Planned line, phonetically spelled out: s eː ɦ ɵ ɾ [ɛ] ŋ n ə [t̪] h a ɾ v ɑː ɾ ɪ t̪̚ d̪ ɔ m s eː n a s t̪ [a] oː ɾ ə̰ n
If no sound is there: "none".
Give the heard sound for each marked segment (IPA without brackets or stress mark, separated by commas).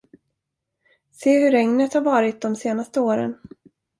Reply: ɛ, t̪, ə